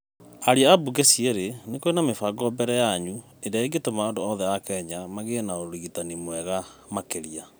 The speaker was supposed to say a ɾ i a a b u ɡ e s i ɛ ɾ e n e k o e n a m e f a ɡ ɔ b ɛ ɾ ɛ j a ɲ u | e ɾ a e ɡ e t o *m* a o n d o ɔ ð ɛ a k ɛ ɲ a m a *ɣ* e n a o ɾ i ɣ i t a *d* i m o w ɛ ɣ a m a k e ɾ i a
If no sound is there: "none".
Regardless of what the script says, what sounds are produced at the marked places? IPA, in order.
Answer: m, ɣ, n

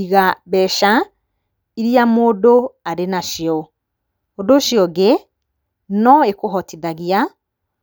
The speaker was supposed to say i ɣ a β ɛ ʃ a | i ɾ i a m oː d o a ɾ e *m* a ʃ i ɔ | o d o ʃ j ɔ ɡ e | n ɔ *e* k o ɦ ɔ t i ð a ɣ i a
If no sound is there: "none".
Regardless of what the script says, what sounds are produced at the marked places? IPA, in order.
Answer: n, e

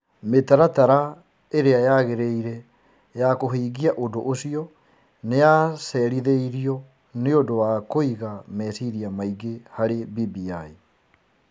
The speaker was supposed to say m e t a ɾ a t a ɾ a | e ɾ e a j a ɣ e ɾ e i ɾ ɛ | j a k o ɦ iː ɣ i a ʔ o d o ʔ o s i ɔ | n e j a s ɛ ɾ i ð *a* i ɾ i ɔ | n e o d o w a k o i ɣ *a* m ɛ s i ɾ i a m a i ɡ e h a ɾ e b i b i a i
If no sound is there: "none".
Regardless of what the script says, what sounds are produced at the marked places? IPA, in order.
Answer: e, a

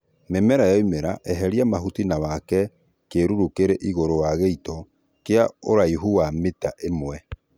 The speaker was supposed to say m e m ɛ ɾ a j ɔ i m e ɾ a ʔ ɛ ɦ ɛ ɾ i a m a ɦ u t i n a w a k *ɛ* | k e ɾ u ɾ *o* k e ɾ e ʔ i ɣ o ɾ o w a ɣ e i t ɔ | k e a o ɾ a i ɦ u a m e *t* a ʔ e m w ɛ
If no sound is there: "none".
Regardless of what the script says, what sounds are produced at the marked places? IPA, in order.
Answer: ɛ, u, t

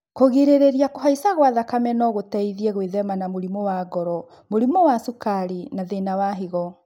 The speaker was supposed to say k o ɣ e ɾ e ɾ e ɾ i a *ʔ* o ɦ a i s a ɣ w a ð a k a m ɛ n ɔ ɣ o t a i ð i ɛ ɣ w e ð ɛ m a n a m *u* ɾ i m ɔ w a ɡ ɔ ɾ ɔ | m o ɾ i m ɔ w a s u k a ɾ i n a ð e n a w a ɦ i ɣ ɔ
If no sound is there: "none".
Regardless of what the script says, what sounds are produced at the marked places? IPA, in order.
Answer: k, o

